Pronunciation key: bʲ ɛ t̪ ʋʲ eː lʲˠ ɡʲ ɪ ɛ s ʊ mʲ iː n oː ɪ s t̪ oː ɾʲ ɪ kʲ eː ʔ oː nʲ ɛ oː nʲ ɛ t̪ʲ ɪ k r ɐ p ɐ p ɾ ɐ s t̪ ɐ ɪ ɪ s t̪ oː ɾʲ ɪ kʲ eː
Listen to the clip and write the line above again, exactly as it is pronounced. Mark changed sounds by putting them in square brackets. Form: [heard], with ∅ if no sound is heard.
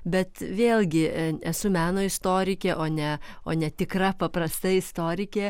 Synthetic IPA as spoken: bʲ ɛ t̪ ʋʲ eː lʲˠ ɡʲ ɪ ɛ s ʊ mʲ [æː] n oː ɪ s t̪ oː ɾʲ ɪ kʲ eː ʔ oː nʲ ɛ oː nʲ ɛ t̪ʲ ɪ k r ɐ p ɐ p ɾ ɐ s t̪ ɐ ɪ ɪ s t̪ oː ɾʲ ɪ kʲ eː